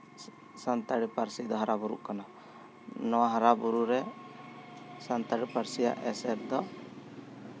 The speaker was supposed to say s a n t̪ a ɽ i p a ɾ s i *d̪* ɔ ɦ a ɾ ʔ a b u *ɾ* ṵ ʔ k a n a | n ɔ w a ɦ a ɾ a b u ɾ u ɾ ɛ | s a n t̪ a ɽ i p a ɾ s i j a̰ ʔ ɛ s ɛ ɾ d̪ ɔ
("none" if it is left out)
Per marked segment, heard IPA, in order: d̪, ɾ

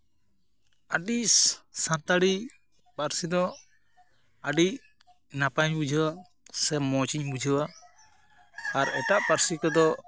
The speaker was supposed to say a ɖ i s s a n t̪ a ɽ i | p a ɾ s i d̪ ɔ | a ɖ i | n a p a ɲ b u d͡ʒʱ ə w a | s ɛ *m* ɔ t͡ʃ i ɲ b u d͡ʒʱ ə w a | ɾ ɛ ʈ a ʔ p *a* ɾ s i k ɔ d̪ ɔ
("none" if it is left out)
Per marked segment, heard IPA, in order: m, a

